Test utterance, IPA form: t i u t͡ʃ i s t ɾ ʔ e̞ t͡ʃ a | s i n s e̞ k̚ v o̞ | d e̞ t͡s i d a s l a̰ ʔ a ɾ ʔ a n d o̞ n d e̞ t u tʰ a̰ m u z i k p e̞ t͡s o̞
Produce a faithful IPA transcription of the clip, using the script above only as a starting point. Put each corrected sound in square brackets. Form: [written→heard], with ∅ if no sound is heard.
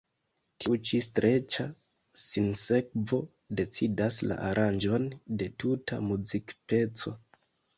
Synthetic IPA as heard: t i u t͡ʃ i s t ɾ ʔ e̞ t͡ʃ a | s i n s e̞ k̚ v o̞ | d e̞ t͡s i d a s l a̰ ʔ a ɾ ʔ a n [d→d͡ʒ] o̞ n d e̞ t u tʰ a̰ m u z i k p e̞ t͡s o̞